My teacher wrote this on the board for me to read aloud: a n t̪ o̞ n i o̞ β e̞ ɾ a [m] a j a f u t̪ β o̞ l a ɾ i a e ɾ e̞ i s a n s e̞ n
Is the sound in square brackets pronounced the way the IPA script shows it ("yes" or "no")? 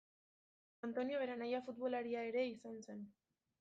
no